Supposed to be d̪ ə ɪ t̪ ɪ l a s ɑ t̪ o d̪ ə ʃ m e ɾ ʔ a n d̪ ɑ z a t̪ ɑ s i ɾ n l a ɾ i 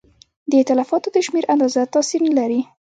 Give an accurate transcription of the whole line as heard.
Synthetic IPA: d̪ ə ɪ t̪ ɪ l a f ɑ t̪ o d̪ ə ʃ m e ɾ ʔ a n d̪ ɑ z a t̪ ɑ s i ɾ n l a ɾ i

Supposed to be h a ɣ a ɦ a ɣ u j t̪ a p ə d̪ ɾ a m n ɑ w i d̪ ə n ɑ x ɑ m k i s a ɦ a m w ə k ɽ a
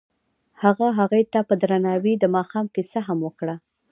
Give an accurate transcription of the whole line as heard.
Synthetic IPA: h a ɣ a ɦ a ɣ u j t̪ a p ə d̪ ɾ a n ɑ w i d̪ ə m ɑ x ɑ m k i s a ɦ a m w ə k ɽ a

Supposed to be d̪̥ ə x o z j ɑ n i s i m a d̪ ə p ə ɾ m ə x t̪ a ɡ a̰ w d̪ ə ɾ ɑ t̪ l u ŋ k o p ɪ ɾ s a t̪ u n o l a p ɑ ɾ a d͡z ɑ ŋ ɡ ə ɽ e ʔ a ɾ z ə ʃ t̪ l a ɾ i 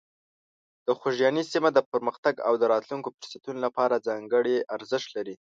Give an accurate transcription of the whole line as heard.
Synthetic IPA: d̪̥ ə x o ʒ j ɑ n i s i m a d̪ ə p ə ɾ m ə x t̪ a ɡ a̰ w d̪ ə ɾ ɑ t̪ l u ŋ k o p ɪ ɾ s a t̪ u n o l a p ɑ ɾ a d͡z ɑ ŋ ɡ ə ɽ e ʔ a ɾ z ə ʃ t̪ l a ɾ i

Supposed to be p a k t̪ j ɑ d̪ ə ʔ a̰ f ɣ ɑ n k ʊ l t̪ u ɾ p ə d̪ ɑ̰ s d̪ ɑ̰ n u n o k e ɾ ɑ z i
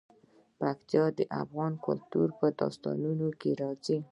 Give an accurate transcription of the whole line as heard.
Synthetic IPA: p a k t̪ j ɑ d̪ ə ʔ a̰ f ɣ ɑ n k ʊ l t̪ u ɾ p ə d̪ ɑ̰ s t̪ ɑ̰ n u n o k e ɾ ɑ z i

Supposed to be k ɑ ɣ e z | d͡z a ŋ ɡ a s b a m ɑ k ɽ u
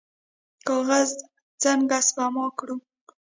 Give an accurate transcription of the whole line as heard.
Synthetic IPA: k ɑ ɣ a z | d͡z a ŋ ɡ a s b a m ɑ k ɽ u

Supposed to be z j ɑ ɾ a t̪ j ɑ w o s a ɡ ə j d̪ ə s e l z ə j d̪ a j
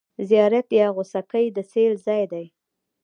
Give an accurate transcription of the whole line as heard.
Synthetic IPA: z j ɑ ɾ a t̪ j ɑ ɣ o s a k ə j d̪ ə s e l z ɑ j d̪ a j

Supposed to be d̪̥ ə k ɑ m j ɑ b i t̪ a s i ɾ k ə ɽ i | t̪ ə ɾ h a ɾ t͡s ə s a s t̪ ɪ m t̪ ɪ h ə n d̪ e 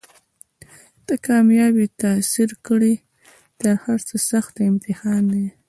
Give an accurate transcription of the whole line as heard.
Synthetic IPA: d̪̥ ə k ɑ m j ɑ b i t̪ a s i ɾ k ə ɽ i | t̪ ə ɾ h a ɾ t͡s ə s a x t̪ ɪ m t̪ ɪ h ɑ n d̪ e

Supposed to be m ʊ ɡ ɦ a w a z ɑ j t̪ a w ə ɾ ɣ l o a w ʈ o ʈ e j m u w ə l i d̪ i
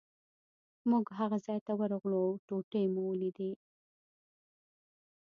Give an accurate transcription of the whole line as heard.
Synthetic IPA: m u ɡ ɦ a ɣ a z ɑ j t̪ a w ə ɾ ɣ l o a w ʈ o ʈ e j m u w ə l i d̪ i

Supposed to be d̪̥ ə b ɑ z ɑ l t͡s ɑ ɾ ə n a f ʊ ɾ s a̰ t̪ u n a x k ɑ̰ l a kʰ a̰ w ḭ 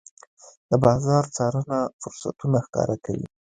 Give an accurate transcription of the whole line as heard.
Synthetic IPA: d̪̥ ə b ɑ z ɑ ɾ t͡s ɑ ɾ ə n a f ʊ ɾ s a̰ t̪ u n a x k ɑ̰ ɾ a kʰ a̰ w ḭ

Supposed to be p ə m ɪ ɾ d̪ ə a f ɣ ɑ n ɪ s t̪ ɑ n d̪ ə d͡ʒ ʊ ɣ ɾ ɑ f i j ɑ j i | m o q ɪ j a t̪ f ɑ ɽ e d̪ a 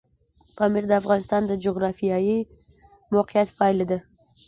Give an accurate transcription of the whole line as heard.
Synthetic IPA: p ɑ m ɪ ɾ d̪ ə a f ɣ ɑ n ɪ s t̪ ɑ n d̪ ə d͡ʒ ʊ ɣ ɾ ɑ f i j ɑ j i | m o q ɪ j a t̪ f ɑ l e d̪ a

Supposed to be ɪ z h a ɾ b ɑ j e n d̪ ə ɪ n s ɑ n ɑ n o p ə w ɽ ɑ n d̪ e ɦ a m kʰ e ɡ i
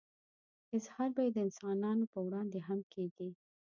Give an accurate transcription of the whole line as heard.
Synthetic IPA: ɪ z h ɑ ɾ b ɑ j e d̪ ə ɪ n s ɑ n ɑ n o p ə w ɽ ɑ n d̪ e ɦ a m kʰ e ɡ i

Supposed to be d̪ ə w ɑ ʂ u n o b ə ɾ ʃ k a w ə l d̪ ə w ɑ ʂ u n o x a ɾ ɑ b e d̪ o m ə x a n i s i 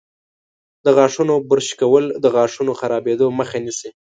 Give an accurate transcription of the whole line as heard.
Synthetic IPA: d̪ ə ɣ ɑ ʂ u n o b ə ɾ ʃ k a w ə l d̪ ə ɣ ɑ ʂ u n o x a ɾ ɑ b e d̪ o m ə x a n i s i

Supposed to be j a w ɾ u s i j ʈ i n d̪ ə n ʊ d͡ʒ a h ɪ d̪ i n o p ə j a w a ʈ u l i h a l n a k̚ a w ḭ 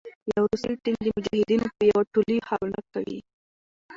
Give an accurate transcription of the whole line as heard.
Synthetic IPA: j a w ɾ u s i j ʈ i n d̪ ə m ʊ d͡ʒ a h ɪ d̪ i n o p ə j a w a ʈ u l i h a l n a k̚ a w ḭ

